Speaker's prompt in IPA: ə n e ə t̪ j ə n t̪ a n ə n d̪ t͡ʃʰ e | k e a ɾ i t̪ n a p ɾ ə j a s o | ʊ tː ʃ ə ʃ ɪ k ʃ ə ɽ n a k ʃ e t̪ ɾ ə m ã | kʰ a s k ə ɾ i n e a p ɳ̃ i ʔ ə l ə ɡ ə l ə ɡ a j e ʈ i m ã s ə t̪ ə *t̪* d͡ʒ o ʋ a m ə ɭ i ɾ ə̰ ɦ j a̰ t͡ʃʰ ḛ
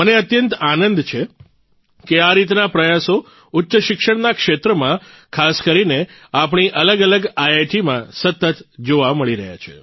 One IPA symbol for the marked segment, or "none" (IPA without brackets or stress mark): t̪